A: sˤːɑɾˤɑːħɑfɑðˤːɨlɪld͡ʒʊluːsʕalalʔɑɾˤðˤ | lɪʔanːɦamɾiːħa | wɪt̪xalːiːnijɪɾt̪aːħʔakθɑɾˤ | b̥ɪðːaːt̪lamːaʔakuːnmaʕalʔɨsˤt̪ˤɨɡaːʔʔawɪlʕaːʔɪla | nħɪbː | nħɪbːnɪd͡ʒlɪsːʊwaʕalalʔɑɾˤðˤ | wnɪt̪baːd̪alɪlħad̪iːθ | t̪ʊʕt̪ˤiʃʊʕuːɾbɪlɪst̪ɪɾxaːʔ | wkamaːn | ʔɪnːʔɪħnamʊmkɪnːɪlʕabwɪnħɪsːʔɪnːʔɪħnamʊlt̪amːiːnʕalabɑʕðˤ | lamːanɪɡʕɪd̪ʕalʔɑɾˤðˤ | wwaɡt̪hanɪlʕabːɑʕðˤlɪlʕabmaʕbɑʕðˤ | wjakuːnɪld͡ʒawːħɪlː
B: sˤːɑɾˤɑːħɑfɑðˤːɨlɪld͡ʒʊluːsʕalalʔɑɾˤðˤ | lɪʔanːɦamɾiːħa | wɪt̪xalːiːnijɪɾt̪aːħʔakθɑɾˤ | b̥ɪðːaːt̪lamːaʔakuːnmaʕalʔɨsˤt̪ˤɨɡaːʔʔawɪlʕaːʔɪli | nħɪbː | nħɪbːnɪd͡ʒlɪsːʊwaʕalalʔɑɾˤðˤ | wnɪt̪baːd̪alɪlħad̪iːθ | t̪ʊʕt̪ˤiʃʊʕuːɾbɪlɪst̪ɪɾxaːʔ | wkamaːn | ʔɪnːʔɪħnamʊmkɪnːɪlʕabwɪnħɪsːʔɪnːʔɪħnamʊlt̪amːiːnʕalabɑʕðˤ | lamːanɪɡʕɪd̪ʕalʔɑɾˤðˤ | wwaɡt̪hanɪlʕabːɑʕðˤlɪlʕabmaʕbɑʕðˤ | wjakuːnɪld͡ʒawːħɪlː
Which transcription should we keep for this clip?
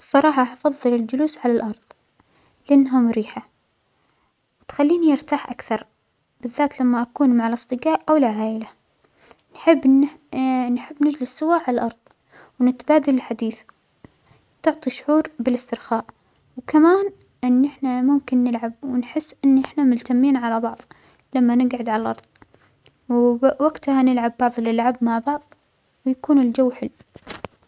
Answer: A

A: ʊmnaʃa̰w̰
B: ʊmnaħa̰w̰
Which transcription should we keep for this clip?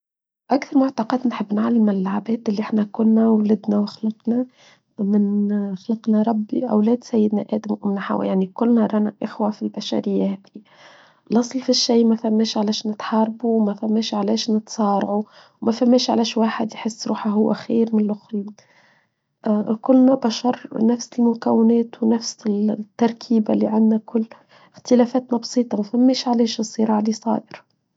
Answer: B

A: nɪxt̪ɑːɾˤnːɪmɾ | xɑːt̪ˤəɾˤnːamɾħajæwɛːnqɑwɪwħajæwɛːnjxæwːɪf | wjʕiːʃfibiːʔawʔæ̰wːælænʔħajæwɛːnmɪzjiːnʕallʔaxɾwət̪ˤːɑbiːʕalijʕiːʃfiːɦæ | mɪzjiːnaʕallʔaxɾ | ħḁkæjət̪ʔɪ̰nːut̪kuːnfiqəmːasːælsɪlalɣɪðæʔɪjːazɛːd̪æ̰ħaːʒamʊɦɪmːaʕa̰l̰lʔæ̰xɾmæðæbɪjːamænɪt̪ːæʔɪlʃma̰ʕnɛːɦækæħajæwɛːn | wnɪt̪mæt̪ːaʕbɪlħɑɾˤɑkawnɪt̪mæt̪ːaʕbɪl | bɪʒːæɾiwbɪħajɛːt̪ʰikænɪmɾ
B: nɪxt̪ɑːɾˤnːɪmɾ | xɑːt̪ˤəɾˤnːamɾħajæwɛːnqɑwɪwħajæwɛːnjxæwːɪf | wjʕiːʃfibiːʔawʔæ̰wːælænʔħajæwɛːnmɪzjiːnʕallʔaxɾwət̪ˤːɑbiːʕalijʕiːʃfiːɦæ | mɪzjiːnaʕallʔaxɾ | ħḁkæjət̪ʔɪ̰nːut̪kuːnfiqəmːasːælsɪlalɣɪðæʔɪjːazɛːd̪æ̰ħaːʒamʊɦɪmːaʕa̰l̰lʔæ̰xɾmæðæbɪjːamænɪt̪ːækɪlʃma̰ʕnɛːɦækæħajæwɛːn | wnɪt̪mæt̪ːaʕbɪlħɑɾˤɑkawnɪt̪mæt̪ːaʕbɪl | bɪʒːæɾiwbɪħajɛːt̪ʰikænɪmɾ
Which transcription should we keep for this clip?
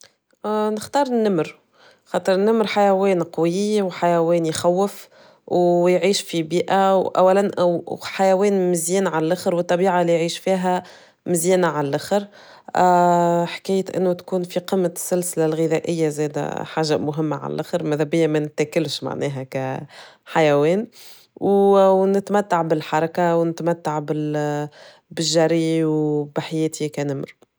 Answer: B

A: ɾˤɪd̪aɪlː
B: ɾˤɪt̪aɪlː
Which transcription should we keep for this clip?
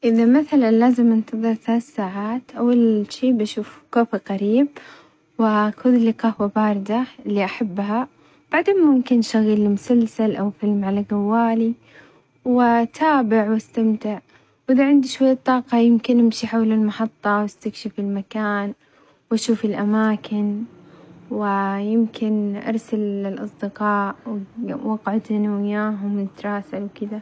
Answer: A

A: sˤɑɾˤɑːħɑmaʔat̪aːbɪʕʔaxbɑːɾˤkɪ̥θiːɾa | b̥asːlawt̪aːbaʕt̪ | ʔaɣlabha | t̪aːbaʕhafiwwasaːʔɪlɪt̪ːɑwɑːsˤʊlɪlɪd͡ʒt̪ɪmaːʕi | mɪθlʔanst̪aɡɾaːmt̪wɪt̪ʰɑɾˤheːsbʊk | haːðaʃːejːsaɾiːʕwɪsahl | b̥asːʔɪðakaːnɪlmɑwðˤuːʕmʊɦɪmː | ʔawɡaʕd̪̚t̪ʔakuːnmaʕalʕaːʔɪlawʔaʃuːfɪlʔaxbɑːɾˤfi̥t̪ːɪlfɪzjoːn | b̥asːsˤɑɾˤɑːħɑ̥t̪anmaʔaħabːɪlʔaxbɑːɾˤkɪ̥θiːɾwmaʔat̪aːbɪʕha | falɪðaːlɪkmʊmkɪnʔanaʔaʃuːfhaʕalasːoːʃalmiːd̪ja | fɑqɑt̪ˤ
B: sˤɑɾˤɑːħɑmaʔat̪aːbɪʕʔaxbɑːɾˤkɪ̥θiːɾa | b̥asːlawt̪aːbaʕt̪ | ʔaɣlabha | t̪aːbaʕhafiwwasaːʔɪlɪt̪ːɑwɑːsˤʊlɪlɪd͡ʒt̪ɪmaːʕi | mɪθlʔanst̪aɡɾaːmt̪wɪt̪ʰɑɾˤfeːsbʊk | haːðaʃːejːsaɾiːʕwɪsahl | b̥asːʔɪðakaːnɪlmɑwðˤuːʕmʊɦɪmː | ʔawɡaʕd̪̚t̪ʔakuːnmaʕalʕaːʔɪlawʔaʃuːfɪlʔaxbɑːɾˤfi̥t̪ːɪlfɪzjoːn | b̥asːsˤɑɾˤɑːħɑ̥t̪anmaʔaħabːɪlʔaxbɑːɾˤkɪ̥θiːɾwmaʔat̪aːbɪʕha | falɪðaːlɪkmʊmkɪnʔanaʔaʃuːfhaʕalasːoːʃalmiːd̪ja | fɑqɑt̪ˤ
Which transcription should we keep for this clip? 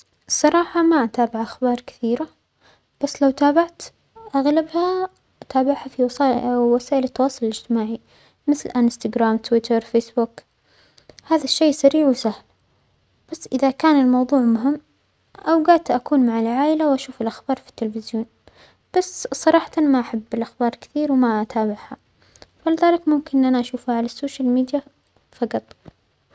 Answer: B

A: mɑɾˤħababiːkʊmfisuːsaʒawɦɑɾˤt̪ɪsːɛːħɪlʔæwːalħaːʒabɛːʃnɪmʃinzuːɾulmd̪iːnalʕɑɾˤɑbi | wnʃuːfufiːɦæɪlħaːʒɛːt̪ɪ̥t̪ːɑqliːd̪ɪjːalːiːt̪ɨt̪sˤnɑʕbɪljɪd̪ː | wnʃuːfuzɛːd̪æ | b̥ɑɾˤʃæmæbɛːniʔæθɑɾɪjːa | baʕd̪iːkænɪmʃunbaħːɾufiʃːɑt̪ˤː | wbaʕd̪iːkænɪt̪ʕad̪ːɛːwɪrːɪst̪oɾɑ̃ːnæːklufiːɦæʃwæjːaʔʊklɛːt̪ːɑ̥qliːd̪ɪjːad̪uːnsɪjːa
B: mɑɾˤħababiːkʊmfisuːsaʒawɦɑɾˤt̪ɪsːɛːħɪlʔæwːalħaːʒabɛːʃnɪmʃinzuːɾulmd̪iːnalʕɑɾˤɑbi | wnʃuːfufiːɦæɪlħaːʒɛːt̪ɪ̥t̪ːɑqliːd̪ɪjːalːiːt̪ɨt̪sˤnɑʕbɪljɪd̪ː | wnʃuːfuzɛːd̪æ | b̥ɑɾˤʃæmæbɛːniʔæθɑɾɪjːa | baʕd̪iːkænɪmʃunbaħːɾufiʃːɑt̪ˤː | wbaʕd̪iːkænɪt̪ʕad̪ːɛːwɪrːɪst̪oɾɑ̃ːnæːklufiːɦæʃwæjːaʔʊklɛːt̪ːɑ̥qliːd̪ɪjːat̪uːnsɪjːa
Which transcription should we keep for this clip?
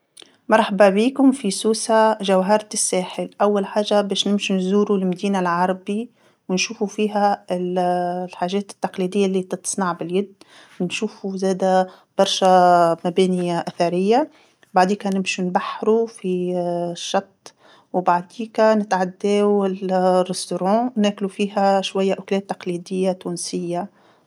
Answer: B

